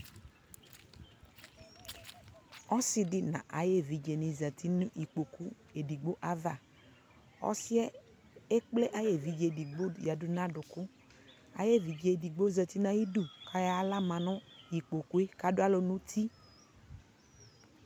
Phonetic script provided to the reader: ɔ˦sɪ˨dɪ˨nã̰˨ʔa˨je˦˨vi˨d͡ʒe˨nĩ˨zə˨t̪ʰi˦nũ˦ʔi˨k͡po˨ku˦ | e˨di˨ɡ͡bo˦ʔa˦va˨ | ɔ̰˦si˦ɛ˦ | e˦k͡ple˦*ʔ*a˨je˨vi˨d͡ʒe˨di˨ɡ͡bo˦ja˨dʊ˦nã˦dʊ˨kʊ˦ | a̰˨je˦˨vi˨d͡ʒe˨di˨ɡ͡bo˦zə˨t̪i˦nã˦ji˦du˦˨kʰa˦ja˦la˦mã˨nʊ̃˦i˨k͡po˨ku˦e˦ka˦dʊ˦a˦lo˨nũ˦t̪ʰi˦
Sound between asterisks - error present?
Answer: no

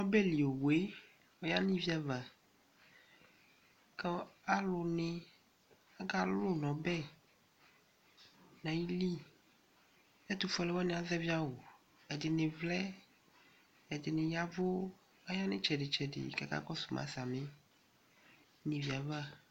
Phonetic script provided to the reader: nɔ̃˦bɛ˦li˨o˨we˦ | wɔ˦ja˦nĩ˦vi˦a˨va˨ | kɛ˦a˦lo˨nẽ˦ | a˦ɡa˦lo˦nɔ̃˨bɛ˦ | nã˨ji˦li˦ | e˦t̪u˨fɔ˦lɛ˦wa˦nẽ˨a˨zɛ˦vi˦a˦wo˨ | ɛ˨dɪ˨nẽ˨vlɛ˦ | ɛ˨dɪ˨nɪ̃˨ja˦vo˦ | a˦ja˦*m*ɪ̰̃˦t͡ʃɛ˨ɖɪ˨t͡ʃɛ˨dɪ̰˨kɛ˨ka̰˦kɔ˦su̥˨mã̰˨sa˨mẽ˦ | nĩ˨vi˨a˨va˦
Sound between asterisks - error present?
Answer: yes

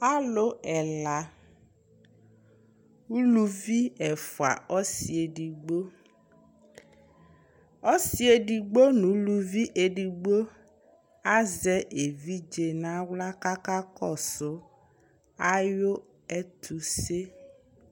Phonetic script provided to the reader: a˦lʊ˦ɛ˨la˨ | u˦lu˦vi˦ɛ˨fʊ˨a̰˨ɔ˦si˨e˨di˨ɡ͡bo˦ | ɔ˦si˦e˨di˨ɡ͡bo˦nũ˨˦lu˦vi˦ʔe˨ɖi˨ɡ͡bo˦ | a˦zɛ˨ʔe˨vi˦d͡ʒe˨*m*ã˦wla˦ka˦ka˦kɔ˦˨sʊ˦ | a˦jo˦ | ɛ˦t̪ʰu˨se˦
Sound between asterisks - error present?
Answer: yes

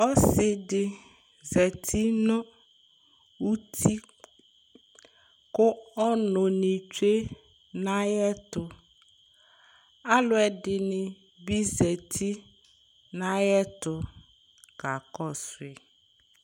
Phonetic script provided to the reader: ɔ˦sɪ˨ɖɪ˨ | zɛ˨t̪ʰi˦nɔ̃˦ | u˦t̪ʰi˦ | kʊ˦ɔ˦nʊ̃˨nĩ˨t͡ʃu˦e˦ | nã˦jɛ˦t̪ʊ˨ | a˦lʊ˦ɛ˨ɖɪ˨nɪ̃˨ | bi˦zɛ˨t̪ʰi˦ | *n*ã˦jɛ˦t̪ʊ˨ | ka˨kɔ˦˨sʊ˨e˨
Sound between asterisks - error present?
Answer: no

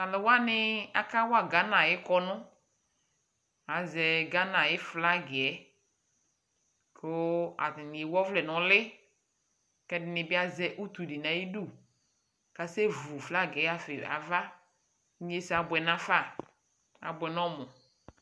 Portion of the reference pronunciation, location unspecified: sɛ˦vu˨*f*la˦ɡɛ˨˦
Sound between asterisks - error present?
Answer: no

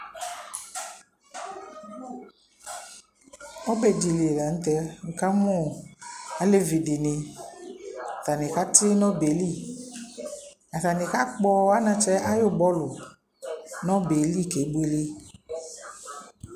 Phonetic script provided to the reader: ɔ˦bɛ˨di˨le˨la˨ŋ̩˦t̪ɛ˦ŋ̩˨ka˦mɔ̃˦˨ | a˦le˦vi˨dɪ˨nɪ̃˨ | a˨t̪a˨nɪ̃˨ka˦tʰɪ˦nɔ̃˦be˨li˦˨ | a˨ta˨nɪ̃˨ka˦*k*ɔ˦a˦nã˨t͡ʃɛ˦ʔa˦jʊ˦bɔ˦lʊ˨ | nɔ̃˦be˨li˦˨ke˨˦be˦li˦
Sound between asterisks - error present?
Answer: yes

